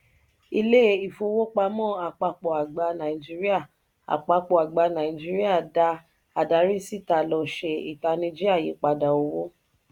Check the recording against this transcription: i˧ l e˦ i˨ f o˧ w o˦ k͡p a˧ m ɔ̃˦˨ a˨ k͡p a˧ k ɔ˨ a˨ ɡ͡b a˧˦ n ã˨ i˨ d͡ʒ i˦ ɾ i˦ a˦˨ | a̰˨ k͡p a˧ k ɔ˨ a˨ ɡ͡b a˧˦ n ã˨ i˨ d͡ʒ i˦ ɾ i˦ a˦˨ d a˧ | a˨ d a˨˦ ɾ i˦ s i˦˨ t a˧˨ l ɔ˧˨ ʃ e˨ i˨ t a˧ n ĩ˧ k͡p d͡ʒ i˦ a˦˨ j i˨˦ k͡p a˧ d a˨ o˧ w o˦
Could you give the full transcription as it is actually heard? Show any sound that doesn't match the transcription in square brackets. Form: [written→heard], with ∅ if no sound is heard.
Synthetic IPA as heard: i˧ l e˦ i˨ f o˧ w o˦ k͡p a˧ m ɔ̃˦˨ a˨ k͡p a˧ [k→k͡p] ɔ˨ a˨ ɡ͡b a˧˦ n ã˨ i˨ d͡ʒ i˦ ɾ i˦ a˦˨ | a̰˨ k͡p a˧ [k→k͡p] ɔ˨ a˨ ɡ͡b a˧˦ n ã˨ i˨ d͡ʒ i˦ ɾ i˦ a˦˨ d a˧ | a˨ d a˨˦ ɾ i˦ s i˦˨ t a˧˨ l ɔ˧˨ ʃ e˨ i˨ t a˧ n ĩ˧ [k͡p→∅] d͡ʒ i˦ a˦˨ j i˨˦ k͡p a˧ d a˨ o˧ w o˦